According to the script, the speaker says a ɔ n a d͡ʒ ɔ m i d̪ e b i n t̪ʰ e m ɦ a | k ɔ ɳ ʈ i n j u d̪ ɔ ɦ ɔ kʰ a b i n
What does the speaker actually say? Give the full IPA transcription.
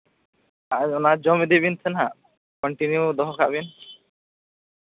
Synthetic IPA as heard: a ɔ n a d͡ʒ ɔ m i d̪ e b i n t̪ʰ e n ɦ a | k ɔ ɳ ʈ i n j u d̪ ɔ ɦ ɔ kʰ a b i n